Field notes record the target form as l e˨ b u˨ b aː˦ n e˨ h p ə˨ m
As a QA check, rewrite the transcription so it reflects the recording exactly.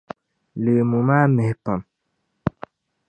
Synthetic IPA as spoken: l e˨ m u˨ m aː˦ m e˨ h p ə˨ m